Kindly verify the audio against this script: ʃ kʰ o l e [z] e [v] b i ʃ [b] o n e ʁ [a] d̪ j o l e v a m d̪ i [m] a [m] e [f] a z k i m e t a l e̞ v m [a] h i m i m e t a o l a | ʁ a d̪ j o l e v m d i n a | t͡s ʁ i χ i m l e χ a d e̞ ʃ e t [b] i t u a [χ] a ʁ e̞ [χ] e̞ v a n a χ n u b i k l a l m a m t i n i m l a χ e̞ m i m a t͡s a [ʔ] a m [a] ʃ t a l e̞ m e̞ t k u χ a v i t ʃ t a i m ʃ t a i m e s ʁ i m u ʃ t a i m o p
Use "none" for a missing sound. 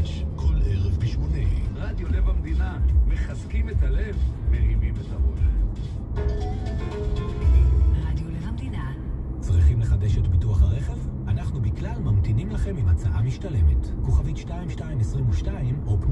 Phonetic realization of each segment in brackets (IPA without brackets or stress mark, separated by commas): ʁ, v, m, a, n, m, χ, e, b, χ, χ, ʔ, i